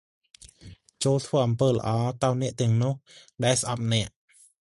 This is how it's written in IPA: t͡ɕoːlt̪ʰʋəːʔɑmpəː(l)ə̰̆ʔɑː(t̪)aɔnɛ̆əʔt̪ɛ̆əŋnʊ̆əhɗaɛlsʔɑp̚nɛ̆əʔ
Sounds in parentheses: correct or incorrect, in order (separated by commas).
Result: correct, correct